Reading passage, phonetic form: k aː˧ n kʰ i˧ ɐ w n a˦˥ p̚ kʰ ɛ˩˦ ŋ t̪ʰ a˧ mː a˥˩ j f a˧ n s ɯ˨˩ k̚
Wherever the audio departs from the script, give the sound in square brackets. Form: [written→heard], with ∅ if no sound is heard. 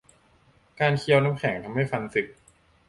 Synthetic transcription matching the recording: k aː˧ n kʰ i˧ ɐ w n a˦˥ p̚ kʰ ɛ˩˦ ŋ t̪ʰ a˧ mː a˥˩ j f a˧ n s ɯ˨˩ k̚